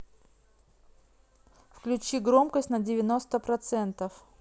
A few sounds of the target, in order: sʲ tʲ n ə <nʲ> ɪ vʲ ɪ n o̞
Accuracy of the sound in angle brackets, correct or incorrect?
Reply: incorrect